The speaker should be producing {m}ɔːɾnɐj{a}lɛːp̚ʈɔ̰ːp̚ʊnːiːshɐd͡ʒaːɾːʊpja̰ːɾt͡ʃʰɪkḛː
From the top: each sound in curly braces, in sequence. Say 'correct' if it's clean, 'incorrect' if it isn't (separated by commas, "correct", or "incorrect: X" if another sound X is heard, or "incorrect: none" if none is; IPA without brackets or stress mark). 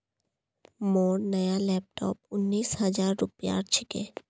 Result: correct, correct